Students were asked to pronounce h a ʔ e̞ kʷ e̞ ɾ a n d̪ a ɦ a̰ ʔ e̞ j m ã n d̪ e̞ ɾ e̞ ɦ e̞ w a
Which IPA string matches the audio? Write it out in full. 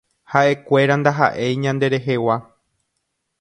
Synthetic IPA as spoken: h a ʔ e̞ kʷ e̞ ɾ a n d̪ a ɦ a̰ ʔ e̞ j ɲ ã n d̪ e̞ ɾ e̞ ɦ e̞ w a